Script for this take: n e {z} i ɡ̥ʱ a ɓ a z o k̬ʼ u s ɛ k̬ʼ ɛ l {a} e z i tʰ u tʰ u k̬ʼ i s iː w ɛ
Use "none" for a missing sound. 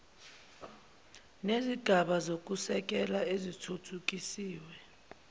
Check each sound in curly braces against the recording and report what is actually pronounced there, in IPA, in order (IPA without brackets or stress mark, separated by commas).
z, a